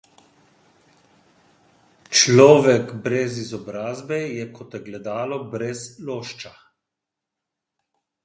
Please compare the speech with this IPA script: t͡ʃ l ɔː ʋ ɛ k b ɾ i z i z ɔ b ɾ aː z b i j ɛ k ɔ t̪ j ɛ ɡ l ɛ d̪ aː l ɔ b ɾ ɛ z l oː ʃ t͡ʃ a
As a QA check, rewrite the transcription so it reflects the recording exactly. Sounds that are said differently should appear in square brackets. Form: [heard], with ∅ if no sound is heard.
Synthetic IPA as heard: t͡ʃ l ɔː ʋ ɛ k b ɾ [ɛ] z i z ɔ b ɾ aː z b [ɛ] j ɛ k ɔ t̪ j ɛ ɡ l ɛ d̪ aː l ɔ b ɾ ɛ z l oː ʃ t͡ʃ a